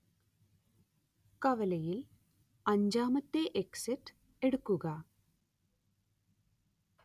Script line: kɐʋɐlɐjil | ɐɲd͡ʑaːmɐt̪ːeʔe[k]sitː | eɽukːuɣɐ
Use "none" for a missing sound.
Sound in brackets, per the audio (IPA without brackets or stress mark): k